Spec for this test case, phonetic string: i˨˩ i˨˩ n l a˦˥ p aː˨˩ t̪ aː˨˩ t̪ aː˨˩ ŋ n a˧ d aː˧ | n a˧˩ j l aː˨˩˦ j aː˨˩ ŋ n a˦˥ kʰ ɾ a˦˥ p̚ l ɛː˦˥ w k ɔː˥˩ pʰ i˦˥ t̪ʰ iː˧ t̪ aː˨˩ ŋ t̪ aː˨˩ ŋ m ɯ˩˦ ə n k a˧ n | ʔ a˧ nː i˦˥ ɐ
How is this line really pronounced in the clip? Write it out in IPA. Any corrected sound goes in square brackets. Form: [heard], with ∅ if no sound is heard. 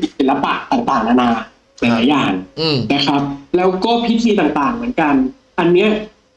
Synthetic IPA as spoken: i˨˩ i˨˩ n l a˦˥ p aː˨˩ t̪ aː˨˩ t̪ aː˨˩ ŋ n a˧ [n] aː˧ | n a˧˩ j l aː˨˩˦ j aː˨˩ ŋ n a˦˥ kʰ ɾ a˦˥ p̚ l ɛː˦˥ w k ɔː˥˩ pʰ i˦˥ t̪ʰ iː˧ t̪ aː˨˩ ŋ t̪ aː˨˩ ŋ m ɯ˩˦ ə n k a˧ n | ʔ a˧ nː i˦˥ ɐ